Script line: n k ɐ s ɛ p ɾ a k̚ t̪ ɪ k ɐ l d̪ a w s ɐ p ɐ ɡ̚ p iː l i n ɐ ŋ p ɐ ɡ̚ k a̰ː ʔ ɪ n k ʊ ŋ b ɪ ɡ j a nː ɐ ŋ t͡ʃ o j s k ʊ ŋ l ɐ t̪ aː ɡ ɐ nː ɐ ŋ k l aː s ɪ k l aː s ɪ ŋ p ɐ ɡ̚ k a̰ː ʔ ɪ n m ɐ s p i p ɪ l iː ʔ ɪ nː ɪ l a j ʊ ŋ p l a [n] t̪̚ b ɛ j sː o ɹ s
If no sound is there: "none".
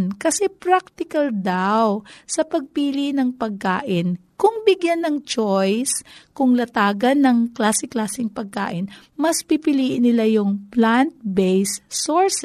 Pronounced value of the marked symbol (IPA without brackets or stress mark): n